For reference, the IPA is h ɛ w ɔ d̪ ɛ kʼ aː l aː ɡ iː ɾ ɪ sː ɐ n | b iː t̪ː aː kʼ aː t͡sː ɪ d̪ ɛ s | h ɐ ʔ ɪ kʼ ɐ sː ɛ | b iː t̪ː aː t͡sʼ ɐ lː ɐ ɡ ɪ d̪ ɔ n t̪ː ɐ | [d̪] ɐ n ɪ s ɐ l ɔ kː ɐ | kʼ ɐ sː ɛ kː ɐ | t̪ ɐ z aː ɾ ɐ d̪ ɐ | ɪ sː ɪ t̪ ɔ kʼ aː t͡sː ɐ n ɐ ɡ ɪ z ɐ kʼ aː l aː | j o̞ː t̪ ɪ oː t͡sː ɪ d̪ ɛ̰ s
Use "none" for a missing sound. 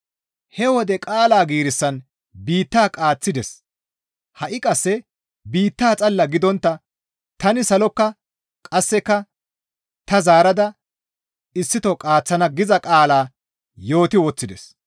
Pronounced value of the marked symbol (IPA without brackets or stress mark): t̪